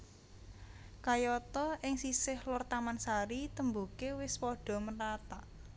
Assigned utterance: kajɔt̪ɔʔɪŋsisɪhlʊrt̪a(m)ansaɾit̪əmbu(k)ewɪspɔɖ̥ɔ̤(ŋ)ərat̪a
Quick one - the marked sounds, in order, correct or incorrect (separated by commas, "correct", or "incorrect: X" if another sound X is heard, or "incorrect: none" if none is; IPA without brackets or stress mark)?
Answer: correct, correct, incorrect: m